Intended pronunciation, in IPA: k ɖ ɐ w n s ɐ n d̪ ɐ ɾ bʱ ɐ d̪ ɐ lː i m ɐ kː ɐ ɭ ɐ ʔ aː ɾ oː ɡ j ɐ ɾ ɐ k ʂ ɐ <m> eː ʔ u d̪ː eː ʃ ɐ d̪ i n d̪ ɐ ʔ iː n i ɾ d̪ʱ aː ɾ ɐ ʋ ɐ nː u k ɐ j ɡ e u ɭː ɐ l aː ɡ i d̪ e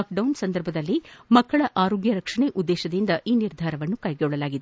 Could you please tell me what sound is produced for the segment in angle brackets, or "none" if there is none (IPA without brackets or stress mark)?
ɳ